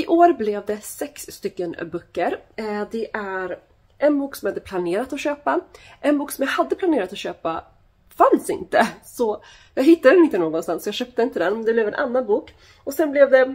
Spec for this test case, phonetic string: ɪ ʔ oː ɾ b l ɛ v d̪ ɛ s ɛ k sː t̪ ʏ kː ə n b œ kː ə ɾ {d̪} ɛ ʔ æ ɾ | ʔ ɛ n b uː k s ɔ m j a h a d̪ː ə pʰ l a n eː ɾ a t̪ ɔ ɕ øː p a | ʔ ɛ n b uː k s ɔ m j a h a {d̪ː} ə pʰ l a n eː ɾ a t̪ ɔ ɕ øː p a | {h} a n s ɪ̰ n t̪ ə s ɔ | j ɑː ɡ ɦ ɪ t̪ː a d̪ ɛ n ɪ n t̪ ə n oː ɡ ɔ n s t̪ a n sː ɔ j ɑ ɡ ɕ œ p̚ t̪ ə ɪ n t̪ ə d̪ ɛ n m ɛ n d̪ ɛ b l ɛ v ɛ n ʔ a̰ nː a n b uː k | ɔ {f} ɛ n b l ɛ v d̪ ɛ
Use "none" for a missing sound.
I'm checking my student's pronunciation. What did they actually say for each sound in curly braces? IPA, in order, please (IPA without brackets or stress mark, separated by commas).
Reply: d̪, d̪ː, f, s